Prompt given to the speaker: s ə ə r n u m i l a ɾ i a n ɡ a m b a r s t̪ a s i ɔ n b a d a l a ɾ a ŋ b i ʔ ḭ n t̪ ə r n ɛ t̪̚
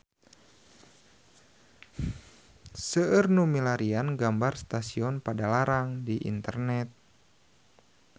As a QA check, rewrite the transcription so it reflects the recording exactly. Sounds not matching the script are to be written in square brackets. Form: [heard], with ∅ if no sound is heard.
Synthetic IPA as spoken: s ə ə r n u m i l a ɾ i a n ɡ a m b a r s t̪ a s i ɔ n [p] a d a l a ɾ a ŋ [d] i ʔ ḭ n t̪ ə r n ɛ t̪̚